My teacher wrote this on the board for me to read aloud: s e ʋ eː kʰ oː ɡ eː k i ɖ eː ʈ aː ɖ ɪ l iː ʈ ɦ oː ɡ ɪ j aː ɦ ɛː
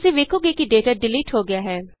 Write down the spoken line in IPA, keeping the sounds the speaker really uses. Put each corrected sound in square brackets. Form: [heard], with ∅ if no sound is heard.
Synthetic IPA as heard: s e ʋ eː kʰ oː ɡ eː k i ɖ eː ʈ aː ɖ ɪ l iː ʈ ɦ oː ɡ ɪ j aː ɦ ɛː

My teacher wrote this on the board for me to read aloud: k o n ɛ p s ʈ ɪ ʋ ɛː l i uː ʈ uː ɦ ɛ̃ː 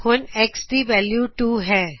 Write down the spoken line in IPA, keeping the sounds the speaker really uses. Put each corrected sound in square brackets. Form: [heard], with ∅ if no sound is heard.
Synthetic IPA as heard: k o n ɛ [k] s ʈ [i] ʋ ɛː l [j] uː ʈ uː ɦ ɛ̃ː

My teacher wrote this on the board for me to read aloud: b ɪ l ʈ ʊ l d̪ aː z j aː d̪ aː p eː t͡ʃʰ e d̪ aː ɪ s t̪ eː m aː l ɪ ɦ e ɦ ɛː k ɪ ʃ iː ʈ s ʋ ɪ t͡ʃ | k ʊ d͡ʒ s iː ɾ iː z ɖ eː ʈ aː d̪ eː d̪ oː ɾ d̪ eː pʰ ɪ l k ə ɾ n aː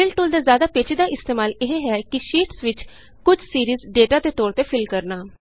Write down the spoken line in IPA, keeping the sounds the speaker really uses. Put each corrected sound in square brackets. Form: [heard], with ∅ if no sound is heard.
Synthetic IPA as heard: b ɪ l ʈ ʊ l d̪ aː z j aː d̪ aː p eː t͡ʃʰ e d̪ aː ɪ s t̪ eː m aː l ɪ ɦ e ɦ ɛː k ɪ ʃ iː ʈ s ʋ ɪ t͡ʃ | k ʊ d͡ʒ s iː ɾ iː z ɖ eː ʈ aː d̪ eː [t̪] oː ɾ [t̪] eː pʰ ɪ l k ə ɾ n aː

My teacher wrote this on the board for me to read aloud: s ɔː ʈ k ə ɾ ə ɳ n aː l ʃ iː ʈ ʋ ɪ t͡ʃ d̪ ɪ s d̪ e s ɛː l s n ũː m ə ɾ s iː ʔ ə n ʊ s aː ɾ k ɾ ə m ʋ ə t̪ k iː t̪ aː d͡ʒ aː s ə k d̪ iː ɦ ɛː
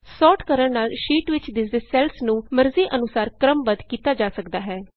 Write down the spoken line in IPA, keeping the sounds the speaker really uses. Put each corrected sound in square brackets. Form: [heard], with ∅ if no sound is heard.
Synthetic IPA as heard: s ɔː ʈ k ə ɾ ə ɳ n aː l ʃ iː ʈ ʋ ɪ t͡ʃ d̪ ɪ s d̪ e s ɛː l s n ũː m ə ɾ [z] iː ʔ ə n ʊ s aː ɾ k ɾ ə m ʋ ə [d̪] k iː t̪ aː d͡ʒ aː s ə k d̪ [aː] ɦ ɛː

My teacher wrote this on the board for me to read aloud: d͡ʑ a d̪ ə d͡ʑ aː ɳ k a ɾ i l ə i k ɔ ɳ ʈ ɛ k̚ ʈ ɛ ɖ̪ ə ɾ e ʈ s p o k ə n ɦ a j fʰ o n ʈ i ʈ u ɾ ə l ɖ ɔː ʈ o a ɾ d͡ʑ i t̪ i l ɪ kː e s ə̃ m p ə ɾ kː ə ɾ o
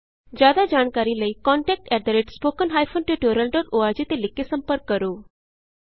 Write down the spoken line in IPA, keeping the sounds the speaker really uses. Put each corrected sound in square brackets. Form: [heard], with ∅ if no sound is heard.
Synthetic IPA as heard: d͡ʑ a d̪ [a] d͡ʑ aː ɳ k a ɾ i l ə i k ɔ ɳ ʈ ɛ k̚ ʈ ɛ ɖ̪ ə ɾ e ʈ s p o k ə n ɦ a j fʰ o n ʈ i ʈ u ɾ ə l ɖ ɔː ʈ o a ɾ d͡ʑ i t̪ [e] l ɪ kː e s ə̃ m p ə ɾ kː ə ɾ o

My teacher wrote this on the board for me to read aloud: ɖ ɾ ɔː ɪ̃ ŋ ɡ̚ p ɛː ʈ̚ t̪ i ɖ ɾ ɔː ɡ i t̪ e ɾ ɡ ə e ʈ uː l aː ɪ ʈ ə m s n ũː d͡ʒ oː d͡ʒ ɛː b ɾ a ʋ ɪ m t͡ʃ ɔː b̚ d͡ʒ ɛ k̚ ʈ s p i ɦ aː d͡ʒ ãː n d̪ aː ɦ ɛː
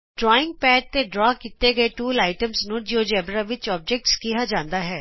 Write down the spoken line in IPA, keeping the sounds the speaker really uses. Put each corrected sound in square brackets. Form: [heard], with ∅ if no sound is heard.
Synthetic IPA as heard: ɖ ɾ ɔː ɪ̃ ŋ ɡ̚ p ɛː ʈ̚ t̪ [e] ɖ ɾ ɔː [k] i t̪ e [∅] ɡ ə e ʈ uː l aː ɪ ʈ ə m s n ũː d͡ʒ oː d͡ʒ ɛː b ɾ a ʋ ɪ [∅] t͡ʃ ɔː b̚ d͡ʒ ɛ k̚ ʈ s [k] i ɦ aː d͡ʒ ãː n d̪ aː ɦ ɛː

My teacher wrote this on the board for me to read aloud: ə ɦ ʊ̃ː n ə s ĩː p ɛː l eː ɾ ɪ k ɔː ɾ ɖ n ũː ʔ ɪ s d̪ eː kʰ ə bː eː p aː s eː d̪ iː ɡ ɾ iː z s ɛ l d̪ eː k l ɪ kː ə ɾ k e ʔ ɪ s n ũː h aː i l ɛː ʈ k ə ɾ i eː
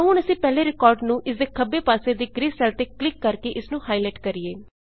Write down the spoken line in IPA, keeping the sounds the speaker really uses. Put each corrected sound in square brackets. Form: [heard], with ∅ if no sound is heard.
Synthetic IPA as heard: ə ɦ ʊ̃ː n ə s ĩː p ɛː l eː ɾ ɪ k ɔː ɾ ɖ n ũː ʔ ɪ s d̪ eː kʰ ə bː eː p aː s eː d̪ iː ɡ ɾ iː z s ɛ l [t̪] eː k l ɪ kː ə ɾ k e ʔ ɪ s n ũː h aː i l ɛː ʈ k ə ɾ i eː

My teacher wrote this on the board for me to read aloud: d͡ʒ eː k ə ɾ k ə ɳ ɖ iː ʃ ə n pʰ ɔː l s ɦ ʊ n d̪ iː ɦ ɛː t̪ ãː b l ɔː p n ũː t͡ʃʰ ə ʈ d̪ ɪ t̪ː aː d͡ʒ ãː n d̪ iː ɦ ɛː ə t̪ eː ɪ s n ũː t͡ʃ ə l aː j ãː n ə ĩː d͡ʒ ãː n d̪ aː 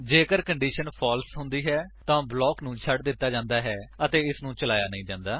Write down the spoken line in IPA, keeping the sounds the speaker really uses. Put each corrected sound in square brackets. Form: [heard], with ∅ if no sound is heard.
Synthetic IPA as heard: d͡ʒ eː k ə ɾ k ə ɳ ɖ iː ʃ ə n pʰ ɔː l s ɦ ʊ n d̪ iː ɦ ɛː t̪ ãː b l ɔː [k] n ũː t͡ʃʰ ə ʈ d̪ ɪ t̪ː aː d͡ʒ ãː n d̪ [aː] ɦ ɛː ə t̪ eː ɪ s n ũː t͡ʃ ə l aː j [aː] n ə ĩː d͡ʒ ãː n d̪ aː

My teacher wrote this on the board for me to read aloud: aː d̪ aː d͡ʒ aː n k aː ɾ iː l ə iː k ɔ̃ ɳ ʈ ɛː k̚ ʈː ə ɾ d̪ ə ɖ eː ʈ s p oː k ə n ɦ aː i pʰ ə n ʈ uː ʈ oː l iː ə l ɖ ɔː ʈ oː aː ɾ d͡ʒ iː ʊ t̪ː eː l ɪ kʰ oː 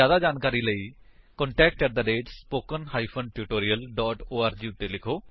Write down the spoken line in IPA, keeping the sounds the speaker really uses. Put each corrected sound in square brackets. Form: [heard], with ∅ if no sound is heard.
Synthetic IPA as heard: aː d̪ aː d͡ʒ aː n k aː ɾ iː l ə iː k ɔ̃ ɳ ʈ ɛː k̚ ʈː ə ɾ d̪ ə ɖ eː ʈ s p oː k ə n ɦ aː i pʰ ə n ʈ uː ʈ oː [ɾ] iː ə l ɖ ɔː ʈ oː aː ɾ d͡ʒ iː ʊ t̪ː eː l ɪ kʰ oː

